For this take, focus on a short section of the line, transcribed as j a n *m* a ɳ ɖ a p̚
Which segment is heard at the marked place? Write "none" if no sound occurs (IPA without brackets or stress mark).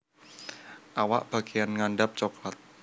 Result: ŋ